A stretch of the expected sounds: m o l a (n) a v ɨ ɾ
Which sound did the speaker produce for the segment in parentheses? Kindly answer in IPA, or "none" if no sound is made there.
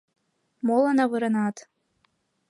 n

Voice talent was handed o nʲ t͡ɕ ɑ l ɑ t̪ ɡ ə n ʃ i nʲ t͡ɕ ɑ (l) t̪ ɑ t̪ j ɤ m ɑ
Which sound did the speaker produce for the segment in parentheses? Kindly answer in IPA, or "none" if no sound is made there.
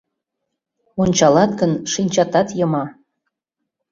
none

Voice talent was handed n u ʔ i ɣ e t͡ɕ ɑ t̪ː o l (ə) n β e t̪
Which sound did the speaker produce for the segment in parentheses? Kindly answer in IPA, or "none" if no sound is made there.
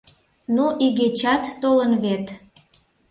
ə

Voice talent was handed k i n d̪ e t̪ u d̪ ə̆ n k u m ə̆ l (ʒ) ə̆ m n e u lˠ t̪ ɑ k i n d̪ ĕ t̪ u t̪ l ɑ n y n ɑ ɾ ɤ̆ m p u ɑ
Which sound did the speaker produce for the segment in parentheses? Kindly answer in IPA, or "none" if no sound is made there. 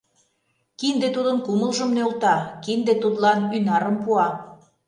ʒ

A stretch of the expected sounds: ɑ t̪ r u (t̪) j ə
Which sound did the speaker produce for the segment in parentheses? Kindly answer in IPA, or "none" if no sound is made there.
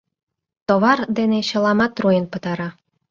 none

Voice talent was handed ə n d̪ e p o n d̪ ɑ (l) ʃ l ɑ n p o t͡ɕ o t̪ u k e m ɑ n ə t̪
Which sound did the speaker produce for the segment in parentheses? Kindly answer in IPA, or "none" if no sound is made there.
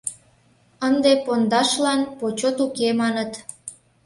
none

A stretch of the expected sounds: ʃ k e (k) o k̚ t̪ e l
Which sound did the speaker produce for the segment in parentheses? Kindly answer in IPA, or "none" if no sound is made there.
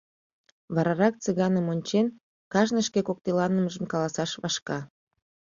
k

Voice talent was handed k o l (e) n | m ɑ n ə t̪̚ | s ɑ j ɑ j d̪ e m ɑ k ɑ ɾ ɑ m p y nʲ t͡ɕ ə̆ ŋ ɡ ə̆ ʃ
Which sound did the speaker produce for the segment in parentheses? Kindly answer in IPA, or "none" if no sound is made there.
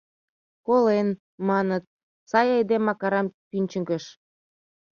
e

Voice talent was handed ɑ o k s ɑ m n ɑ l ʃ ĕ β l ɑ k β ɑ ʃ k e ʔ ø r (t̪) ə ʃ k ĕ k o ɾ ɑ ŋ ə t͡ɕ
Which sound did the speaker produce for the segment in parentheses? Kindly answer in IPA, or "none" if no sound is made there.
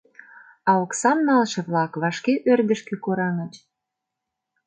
d̪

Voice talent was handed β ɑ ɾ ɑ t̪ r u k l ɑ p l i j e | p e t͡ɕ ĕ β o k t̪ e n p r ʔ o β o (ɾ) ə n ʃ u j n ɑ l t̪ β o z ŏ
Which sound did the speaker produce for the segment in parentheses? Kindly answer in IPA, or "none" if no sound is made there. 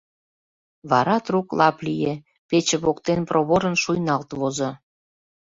ɾ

